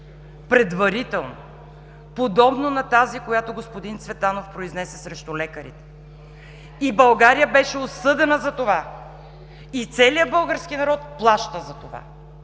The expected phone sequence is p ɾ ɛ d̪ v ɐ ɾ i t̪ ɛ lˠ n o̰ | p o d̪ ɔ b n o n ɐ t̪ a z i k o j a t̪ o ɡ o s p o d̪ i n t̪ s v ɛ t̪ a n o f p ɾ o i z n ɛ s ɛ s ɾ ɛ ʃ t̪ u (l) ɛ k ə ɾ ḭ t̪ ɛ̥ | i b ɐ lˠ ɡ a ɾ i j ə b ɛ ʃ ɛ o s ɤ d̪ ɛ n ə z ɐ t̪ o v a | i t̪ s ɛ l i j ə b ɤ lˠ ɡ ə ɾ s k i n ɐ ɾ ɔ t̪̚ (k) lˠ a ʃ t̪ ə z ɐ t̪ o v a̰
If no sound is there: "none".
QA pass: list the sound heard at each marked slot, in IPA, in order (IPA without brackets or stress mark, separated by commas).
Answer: l, p